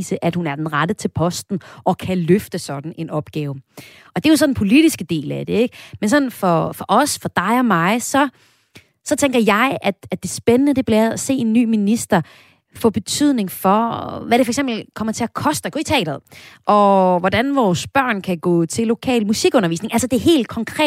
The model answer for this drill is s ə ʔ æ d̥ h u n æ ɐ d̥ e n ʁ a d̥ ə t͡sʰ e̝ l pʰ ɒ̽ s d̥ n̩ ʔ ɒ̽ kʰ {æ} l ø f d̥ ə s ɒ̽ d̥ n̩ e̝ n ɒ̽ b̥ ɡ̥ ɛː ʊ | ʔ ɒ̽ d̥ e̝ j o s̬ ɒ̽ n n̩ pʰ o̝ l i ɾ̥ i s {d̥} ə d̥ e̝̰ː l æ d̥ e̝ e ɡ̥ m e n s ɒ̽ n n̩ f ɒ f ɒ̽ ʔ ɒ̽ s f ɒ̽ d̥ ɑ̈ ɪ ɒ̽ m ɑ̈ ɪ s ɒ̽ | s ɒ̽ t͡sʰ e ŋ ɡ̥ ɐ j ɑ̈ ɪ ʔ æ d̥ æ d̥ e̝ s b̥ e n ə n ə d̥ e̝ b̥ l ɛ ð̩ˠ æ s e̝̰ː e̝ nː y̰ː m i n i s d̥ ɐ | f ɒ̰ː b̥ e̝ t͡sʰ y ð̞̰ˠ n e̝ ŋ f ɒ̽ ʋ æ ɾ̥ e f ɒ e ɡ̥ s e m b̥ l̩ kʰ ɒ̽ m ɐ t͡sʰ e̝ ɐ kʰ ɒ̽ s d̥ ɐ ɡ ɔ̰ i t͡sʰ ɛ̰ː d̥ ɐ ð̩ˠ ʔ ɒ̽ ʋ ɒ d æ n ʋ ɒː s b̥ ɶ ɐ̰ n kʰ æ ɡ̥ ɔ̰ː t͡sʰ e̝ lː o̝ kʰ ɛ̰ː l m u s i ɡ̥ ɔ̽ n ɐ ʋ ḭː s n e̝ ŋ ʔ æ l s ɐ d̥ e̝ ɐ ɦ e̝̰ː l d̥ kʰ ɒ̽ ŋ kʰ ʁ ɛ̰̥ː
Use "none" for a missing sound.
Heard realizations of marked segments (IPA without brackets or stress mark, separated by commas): æ, ɡ̥